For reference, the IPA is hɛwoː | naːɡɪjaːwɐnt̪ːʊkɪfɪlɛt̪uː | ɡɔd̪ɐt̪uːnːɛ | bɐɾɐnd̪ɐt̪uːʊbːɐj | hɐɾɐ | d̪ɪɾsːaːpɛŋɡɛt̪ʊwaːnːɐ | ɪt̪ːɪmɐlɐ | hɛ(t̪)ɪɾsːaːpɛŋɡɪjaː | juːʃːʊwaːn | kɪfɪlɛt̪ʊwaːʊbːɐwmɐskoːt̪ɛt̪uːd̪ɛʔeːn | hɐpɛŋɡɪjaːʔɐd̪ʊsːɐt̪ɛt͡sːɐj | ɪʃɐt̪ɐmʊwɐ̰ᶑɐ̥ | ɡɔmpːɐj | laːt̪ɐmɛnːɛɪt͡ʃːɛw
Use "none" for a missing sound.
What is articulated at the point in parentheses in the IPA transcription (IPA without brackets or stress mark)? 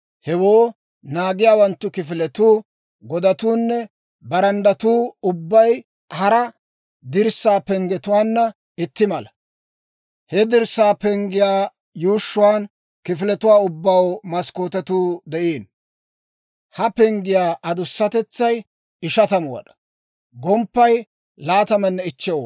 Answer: d̪